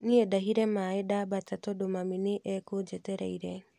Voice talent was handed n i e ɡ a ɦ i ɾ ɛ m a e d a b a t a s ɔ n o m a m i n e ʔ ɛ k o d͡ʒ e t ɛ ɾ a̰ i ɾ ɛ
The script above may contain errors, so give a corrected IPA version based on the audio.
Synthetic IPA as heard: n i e d a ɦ i ɾ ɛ m a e d a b a t a t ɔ d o m a m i n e ʔ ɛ k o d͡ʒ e t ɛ ɾ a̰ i ɾ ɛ